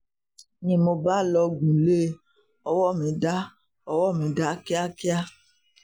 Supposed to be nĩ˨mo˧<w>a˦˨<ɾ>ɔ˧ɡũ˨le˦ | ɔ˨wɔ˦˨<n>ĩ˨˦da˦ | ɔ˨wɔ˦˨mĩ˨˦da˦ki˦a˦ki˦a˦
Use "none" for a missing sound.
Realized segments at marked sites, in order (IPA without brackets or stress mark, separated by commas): b, l, m